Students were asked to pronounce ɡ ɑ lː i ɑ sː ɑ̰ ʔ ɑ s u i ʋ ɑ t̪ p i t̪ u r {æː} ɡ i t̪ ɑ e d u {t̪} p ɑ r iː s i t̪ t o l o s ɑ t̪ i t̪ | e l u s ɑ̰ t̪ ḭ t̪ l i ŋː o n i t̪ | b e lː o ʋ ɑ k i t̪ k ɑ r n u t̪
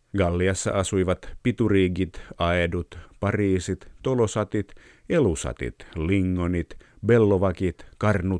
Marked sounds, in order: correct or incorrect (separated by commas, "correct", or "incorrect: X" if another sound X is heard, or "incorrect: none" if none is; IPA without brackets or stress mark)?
incorrect: iː, correct